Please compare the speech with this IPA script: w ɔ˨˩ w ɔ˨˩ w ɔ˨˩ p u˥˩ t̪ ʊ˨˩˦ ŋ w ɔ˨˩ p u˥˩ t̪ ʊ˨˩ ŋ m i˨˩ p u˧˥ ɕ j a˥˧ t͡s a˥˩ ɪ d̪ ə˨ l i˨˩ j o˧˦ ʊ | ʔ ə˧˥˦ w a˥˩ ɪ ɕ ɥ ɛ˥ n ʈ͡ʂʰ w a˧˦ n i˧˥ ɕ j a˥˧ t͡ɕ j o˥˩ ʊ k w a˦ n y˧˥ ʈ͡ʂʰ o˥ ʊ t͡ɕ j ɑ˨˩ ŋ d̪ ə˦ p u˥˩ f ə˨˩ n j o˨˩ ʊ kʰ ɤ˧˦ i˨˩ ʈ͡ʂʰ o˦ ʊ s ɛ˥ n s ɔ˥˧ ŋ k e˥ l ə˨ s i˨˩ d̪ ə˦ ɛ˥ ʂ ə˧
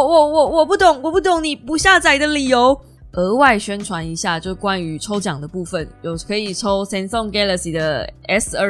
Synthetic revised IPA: w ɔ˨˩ w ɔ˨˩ w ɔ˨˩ p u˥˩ t̪ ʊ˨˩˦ ŋ w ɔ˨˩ p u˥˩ t̪ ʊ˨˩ ŋ n i˨˩ p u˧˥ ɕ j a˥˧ t͡s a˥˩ ɪ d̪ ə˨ l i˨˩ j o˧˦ ʊ | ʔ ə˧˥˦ w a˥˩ ɪ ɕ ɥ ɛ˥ n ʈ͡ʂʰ w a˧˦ n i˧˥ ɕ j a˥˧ t͡ɕ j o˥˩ ʊ k w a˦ n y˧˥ ʈ͡ʂʰ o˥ ʊ t͡ɕ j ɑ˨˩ ŋ d̪ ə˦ p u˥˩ f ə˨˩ n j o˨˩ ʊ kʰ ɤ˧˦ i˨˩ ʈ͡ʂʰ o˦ ʊ s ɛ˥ n s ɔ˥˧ ŋ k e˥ l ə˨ s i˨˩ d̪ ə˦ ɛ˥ s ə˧